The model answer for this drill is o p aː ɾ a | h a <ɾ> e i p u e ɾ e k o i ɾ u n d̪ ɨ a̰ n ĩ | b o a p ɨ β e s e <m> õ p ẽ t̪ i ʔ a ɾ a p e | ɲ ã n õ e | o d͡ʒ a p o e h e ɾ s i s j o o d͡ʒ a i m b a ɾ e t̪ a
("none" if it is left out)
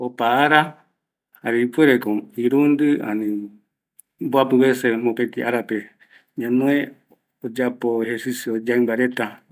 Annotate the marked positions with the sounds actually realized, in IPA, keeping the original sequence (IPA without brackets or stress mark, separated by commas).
ɾ, m